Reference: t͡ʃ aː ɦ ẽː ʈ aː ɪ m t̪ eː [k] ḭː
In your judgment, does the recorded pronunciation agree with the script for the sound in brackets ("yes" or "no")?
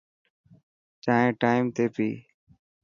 no